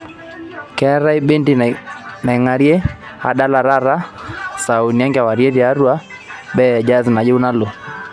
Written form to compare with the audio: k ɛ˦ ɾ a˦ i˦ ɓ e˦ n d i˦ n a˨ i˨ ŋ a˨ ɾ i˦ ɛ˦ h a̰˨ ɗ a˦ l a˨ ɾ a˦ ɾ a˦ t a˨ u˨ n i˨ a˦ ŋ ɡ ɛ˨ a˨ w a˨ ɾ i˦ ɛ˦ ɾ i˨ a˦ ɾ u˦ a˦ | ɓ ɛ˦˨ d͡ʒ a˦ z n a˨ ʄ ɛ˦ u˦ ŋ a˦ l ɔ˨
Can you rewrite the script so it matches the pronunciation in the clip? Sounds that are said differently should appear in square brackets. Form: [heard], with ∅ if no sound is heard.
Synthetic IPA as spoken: k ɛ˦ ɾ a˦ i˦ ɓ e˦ n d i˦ n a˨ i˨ ŋ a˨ ɾ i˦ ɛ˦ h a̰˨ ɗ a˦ l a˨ ɾ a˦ ɾ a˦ [s] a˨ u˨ n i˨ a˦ ŋ ɡ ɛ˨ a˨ w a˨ ɾ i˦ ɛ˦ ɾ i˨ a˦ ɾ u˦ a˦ | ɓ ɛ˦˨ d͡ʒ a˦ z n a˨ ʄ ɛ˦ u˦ [n] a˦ l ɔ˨